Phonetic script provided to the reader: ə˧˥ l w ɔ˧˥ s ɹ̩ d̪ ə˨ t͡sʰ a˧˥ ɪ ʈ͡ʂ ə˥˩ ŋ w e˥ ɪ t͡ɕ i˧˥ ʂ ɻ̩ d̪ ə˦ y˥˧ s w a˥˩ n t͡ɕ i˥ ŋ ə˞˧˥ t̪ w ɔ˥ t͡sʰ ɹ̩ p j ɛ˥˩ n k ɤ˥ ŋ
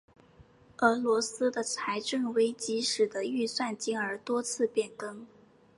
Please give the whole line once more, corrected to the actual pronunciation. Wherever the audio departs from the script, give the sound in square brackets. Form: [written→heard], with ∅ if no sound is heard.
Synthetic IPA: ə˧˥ l w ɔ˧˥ s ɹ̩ d̪ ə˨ t͡sʰ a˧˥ ɪ ʈ͡ʂ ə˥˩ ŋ w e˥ ɪ t͡ɕ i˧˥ ʂ ɻ̩ d̪ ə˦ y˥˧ s w a˥˩ n t͡ɕ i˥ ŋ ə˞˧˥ t̪ w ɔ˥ t͡sʰ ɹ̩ p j ɛ˥˩ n k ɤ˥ ŋ

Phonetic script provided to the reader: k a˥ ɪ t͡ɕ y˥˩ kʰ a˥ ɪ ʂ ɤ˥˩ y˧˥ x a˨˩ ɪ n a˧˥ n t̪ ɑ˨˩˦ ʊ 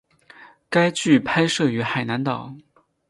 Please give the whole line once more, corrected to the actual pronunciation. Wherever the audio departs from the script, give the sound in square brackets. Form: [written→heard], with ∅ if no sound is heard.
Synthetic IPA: k a˥ ɪ t͡ɕ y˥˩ [kʰ→pʰ] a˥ ɪ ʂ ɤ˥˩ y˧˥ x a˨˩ ɪ n a˧˥ n t̪ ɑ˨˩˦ ʊ

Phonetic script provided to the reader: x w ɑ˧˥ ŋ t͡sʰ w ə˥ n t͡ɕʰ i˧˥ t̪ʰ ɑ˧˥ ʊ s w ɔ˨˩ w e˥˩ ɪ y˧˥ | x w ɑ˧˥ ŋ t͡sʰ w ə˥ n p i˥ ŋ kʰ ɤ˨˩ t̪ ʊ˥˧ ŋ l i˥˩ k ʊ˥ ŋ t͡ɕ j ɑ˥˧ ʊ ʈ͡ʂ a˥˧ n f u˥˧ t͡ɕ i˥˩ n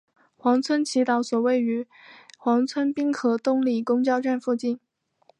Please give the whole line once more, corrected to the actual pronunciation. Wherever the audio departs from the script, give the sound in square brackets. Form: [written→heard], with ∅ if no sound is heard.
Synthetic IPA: x w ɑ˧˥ ŋ t͡sʰ w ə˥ n t͡ɕʰ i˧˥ [t̪ʰ→t̪] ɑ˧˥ ʊ s w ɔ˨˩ w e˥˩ ɪ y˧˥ | x w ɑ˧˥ ŋ t͡sʰ w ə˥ n p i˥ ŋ kʰ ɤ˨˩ t̪ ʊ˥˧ ŋ l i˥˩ k ʊ˥ ŋ t͡ɕ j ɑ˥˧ ʊ ʈ͡ʂ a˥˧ n f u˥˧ t͡ɕ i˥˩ n

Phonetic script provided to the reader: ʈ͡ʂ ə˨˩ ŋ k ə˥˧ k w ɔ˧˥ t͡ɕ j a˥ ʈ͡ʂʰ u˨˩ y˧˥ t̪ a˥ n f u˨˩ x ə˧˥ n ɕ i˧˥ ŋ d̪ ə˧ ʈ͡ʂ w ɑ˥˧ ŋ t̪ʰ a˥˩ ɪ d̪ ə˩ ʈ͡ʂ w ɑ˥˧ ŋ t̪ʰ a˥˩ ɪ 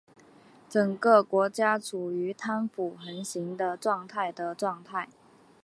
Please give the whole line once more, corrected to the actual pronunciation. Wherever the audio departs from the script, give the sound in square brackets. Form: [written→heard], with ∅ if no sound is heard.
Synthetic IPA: ʈ͡ʂ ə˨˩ ŋ k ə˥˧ k w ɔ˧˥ t͡ɕ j a˥ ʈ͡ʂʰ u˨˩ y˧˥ [t̪→t̪ʰ] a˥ n f u˨˩ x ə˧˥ n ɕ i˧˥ ŋ d̪ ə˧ ʈ͡ʂ w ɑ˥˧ ŋ t̪ʰ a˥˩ ɪ d̪ ə˩ ʈ͡ʂ w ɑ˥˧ ŋ t̪ʰ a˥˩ ɪ

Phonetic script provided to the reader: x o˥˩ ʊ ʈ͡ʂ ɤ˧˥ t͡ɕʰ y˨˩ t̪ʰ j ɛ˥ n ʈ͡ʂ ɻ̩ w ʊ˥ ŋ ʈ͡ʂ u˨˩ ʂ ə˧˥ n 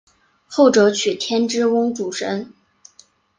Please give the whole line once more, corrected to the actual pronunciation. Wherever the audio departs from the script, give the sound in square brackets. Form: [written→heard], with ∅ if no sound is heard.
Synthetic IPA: x o˥˩ ʊ ʈ͡ʂ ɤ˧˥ t͡ɕʰ y˨˩ t̪ʰ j ɛ˥ n ʈ͡ʂ ɻ̩ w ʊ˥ ŋ ʈ͡ʂ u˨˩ ʂ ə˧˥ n

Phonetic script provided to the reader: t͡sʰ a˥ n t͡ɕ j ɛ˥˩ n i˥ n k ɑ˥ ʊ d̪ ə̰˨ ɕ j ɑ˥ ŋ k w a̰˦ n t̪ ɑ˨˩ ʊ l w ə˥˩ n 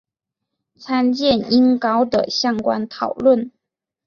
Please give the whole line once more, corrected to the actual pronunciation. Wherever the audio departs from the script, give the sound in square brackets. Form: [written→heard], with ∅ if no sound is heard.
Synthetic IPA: t͡sʰ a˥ n t͡ɕ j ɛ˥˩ n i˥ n k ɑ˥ ʊ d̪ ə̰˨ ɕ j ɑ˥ ŋ k w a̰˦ n [t̪→t̪ʰ] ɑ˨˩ ʊ l w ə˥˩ n

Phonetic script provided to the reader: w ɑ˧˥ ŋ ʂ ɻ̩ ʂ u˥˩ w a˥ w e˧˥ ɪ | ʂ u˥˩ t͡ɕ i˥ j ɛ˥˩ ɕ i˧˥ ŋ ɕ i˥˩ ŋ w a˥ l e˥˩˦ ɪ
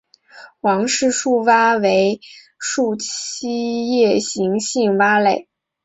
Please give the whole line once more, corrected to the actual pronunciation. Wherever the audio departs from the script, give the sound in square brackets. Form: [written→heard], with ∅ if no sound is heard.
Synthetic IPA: w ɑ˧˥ ŋ ʂ ɻ̩ ʂ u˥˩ w a˥ w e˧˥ ɪ | ʂ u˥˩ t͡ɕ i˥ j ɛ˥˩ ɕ i˧˥ ŋ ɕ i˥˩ ŋ w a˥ l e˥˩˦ ɪ

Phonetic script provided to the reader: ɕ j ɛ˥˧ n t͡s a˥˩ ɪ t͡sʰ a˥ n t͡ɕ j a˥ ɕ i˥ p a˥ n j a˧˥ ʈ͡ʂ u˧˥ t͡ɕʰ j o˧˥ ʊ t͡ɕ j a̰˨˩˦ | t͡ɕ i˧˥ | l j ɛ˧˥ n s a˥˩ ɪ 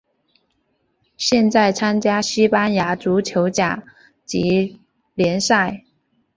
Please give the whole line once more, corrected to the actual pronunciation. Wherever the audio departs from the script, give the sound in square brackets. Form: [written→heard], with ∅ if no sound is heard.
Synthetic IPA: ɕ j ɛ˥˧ n t͡s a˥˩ ɪ t͡sʰ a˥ n t͡ɕ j a˥ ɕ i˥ p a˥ n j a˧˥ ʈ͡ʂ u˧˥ t͡ɕʰ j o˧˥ ʊ t͡ɕ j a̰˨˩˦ | t͡ɕ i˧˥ | l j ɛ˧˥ n s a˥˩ ɪ

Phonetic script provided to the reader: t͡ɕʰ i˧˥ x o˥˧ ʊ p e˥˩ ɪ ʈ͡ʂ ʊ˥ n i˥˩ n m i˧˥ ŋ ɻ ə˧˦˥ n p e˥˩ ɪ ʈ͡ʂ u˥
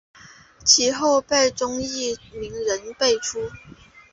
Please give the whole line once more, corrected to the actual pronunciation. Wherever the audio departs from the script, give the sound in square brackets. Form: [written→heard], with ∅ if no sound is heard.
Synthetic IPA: t͡ɕʰ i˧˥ x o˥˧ ʊ p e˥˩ ɪ ʈ͡ʂ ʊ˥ [n→ŋ] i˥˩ [n→∅] m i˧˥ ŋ ɻ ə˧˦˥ n p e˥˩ ɪ [ʈ͡ʂ→ʈ͡ʂʰ] u˥

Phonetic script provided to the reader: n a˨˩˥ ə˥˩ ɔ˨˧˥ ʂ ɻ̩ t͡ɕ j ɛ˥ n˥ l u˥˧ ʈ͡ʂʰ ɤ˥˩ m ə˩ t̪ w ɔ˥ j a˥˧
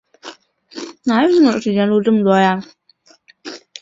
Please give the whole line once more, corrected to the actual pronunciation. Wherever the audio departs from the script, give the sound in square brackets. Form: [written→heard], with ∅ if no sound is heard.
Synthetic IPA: n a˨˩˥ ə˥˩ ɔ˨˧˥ ʂ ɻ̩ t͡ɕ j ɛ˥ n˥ l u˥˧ [ʈ͡ʂʰ→ʈ͡ʂ] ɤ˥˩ m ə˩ t̪ w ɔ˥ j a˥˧

